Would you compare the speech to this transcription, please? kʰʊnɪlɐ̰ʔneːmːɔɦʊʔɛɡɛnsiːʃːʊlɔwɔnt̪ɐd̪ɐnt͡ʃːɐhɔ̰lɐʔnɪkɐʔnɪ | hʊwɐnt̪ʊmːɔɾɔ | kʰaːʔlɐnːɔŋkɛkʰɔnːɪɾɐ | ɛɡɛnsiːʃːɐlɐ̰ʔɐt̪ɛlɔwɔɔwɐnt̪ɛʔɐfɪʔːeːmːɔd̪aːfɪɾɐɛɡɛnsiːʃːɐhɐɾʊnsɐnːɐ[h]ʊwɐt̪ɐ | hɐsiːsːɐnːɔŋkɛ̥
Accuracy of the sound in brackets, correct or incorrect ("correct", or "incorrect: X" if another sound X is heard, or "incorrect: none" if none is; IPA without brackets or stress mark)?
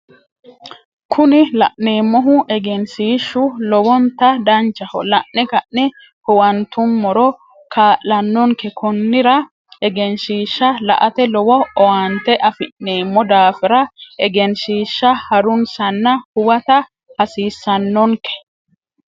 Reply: correct